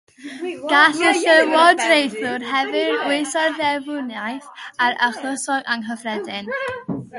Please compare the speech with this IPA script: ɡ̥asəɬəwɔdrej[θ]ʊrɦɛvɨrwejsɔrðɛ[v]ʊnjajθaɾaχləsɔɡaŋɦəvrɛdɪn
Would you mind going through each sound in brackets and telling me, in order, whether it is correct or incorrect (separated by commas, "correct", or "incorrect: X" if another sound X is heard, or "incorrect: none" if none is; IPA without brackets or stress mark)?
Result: correct, correct